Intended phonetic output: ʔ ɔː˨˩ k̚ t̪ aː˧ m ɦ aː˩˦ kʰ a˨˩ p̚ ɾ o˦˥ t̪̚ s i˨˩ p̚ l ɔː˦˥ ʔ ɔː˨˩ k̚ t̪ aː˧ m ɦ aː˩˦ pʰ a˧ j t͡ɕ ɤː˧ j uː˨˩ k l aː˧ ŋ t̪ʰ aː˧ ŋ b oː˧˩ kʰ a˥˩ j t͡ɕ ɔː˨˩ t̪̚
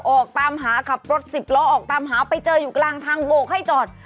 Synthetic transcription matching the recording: ʔ ɔː˨˩ k̚ t̪ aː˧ m ɦ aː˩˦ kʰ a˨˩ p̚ ɾ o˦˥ t̪̚ s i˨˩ p̚ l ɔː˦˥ ʔ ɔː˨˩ k̚ t̪ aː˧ m ɦ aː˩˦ p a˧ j t͡ɕ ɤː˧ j uː˨˩ k l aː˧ ŋ t̪ʰ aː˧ ŋ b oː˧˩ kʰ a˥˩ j t͡ɕ ɔː˨˩ t̪̚